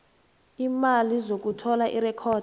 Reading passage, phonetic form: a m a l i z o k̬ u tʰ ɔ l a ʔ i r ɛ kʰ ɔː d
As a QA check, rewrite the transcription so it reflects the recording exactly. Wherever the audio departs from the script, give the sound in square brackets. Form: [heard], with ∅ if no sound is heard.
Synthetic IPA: [i] m a l i z o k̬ u tʰ ɔ l a ʔ i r ɛ kʰ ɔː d